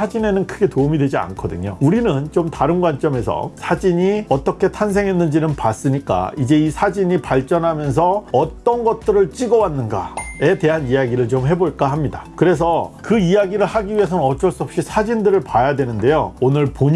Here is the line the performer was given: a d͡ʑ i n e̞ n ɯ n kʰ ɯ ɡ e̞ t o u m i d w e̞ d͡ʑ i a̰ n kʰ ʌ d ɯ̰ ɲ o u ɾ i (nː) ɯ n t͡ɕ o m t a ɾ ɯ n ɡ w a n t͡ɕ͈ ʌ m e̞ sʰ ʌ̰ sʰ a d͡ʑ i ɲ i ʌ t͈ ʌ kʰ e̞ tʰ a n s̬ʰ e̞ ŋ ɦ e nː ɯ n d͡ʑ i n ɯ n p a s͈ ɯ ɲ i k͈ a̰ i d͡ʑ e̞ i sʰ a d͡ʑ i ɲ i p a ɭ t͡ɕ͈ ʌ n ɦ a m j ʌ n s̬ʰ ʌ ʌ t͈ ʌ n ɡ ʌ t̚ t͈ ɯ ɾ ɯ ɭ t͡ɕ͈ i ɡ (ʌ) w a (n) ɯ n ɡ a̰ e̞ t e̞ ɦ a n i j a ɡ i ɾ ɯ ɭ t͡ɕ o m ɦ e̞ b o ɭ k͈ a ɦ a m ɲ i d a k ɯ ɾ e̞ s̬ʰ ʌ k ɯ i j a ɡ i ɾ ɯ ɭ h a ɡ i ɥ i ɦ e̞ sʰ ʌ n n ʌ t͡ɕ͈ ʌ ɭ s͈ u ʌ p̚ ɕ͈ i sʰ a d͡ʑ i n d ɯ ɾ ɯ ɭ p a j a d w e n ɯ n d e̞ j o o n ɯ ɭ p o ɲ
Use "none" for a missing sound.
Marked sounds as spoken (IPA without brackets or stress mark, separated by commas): n, ʌ, nː